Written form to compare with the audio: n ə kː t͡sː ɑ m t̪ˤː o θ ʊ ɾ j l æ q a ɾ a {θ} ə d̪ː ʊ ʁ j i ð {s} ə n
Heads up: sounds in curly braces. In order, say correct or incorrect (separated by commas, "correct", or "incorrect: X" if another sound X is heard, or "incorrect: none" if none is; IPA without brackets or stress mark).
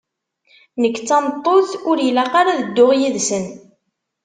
incorrect: ð, correct